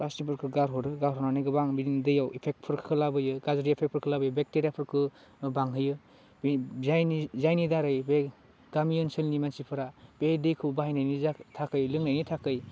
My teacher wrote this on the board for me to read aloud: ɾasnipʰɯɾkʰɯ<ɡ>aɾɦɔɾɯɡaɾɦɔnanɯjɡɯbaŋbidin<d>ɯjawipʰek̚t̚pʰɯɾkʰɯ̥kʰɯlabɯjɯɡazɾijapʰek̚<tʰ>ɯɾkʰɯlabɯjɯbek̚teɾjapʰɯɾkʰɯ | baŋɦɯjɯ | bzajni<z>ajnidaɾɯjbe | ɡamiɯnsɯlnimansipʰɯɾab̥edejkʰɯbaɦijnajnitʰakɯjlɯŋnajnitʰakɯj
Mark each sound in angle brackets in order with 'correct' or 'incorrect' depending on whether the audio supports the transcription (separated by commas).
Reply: correct, correct, incorrect, correct